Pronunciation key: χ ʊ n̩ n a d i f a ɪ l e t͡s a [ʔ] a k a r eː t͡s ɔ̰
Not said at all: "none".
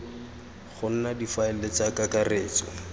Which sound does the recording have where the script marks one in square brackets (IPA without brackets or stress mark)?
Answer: k